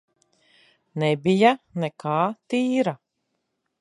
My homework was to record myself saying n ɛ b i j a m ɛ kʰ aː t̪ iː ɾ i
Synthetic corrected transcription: n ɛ b i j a n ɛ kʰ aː t̪ iː ɾ a